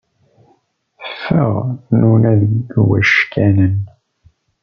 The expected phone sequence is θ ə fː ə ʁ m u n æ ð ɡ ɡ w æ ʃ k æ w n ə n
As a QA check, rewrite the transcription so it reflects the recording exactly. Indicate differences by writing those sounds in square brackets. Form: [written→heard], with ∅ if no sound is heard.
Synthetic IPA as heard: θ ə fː ə ʁ [m→n] u n æ ð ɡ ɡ w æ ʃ k æ [w→∅] n ə n